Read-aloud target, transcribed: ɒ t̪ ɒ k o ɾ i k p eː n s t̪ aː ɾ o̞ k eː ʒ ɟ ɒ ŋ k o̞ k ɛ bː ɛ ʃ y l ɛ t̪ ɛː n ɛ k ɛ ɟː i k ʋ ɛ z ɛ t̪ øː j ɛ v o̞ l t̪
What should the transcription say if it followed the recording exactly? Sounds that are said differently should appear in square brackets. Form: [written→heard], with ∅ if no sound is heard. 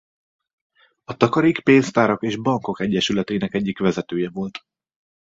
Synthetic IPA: ɒ t̪ ɒ k [o→ɒ] ɾ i k p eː n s t̪ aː ɾ o̞ k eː ʒ [ɟ→b] ɒ ŋ k o̞ k ɛ [bː→ɟː] ɛ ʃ y l ɛ t̪ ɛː n ɛ k ɛ ɟː i k ʋ ɛ z ɛ t̪ øː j ɛ v o̞ l t̪